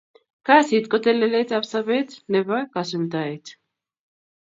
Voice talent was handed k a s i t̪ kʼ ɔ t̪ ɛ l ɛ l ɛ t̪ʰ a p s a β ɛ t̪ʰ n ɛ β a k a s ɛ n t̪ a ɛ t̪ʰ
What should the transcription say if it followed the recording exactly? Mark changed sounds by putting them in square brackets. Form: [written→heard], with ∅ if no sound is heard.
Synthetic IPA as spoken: k a s i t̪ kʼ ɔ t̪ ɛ l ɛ l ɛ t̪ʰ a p s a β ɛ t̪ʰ n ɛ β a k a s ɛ n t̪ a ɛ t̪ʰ